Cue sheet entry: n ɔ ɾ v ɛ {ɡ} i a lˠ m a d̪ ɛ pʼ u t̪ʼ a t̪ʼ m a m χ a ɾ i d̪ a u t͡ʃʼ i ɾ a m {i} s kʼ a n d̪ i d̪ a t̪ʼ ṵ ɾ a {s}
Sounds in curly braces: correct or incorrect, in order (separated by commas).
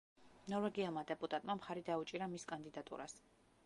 correct, correct, correct